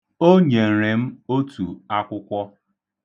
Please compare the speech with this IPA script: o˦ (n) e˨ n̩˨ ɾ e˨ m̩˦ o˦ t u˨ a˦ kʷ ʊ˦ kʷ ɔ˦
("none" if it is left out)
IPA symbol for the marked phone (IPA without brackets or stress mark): ɲ